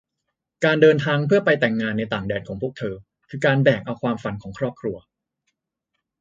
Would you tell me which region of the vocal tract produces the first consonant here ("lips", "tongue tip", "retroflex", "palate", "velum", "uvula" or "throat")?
velum